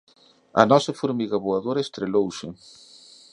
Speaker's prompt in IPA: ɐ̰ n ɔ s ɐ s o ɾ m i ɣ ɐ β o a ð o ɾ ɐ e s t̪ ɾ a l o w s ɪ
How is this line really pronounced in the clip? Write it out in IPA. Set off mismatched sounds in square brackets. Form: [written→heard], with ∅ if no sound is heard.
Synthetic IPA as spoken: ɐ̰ n ɔ s ɐ [s→f] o ɾ m i ɣ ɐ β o a ð o ɾ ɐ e s t̪ ɾ [a→e] l o w s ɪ